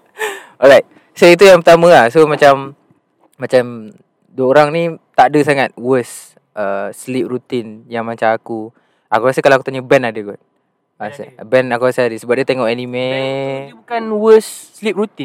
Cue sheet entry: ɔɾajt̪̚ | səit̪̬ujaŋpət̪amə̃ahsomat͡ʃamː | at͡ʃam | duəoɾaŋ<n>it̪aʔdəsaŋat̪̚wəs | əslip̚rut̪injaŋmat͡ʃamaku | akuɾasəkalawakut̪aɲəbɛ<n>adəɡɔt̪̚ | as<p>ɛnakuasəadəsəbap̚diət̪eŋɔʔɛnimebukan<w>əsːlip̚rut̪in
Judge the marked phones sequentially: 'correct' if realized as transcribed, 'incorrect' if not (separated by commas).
correct, correct, incorrect, correct